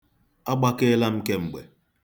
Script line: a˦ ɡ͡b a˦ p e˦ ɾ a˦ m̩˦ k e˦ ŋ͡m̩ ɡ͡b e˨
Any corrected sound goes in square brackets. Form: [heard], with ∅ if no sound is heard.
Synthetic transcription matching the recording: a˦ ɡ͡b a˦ [k] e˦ [l] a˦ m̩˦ k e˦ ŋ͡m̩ ɡ͡b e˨